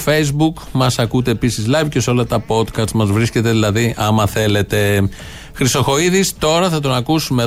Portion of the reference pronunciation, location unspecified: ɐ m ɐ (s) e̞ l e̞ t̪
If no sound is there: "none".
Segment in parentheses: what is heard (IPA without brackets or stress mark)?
θ